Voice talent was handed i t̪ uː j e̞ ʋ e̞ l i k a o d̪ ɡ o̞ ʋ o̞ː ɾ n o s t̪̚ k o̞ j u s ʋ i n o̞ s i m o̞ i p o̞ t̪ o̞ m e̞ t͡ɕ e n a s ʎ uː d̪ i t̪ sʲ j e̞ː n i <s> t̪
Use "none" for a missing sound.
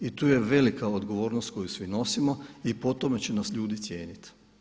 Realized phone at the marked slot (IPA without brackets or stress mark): none